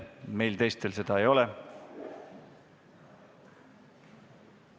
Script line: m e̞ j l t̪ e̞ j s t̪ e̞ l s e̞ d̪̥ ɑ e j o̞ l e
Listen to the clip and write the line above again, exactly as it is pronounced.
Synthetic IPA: m e̞ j l t̪ e̞ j s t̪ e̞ l s e̞ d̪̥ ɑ e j o̞ l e